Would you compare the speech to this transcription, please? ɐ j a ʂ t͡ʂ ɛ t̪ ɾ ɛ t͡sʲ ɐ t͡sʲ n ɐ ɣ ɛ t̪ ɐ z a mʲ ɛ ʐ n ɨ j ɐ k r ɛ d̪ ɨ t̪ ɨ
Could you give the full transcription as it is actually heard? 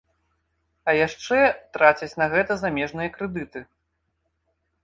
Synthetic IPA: ɐ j a ʂ t͡ʂ ɛ t̪ ɾ a t͡sʲ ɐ t͡sʲ n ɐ ɣ ɛ t̪ ɐ z a mʲ ɛ ʐ n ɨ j ɐ k ɾ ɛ d̪ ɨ t̪ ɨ